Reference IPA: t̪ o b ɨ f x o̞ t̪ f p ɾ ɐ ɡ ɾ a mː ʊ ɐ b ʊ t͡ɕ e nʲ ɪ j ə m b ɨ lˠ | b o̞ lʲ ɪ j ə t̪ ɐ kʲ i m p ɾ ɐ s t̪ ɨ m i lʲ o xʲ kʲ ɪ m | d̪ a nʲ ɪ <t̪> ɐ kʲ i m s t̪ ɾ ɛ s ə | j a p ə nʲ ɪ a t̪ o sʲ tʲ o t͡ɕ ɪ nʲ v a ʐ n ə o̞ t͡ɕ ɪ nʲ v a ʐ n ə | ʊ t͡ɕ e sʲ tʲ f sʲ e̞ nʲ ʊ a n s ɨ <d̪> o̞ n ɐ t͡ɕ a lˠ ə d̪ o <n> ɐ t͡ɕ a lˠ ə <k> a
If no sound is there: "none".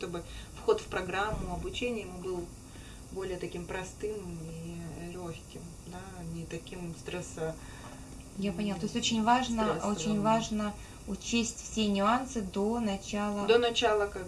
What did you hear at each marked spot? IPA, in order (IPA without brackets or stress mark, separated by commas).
t̪, d̪, n, k